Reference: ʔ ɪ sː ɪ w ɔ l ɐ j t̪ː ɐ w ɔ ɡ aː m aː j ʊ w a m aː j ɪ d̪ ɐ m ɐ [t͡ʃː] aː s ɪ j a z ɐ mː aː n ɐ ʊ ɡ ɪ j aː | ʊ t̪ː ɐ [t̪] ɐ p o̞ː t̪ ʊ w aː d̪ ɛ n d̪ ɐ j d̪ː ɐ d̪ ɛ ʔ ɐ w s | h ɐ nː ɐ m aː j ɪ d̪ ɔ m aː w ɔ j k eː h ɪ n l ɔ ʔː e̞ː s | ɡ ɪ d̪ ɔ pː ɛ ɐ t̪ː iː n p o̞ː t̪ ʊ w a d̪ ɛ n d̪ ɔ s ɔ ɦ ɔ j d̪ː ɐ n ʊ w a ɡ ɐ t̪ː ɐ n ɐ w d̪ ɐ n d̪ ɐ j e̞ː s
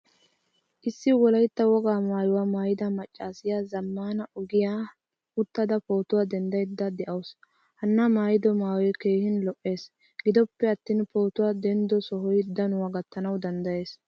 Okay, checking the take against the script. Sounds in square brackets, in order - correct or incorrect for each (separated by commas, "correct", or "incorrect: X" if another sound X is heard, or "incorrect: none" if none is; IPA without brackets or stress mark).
incorrect: t͡ʃʼː, incorrect: d̪